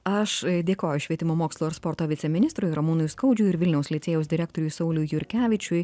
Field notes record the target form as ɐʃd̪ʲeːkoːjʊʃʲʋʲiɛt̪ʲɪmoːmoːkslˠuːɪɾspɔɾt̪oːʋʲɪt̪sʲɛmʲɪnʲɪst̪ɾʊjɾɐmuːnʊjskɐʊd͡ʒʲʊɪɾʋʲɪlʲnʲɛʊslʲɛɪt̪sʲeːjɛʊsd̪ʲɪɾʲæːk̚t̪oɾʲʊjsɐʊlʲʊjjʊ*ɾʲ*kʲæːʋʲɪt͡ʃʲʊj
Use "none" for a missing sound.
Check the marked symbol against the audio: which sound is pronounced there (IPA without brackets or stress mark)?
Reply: ɾʲ